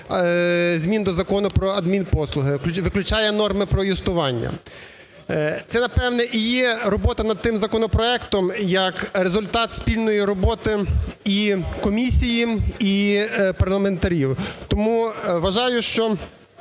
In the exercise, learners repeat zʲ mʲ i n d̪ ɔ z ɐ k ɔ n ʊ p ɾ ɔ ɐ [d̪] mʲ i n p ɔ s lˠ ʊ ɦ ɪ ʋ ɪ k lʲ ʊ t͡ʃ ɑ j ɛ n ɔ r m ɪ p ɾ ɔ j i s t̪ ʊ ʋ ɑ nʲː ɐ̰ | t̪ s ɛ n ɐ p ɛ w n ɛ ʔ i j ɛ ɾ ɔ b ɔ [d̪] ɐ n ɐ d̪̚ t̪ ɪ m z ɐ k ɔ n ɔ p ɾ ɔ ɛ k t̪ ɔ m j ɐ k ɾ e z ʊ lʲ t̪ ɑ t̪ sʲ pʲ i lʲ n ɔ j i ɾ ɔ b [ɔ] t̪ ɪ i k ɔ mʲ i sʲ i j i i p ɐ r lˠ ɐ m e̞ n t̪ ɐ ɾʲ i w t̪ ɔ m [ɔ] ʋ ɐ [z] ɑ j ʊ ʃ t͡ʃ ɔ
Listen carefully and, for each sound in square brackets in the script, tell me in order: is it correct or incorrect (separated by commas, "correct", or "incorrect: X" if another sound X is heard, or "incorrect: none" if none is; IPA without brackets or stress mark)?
correct, incorrect: t̪, correct, incorrect: u, incorrect: ʒ